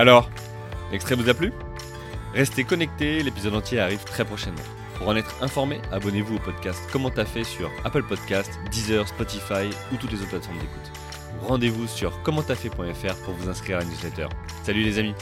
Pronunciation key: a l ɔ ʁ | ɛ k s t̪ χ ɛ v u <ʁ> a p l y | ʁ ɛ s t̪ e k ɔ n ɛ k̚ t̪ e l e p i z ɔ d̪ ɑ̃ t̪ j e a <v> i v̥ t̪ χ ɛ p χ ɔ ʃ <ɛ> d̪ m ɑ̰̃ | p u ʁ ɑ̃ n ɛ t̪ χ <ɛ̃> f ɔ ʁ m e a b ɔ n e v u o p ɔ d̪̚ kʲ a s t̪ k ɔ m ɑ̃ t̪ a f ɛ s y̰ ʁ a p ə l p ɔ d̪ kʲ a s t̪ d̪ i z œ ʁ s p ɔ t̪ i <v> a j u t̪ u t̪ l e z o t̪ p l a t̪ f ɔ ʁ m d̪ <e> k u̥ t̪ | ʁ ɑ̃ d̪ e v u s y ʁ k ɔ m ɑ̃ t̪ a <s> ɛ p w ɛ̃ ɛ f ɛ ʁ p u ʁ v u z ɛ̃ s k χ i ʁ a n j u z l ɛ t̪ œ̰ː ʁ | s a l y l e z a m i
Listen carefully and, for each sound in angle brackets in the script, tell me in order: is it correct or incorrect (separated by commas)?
incorrect, incorrect, correct, correct, incorrect, correct, incorrect